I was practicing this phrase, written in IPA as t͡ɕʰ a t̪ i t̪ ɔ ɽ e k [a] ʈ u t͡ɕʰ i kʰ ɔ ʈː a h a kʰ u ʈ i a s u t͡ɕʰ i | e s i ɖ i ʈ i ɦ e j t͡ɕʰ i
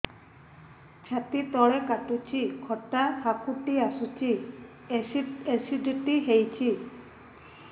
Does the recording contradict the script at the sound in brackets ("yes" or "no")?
no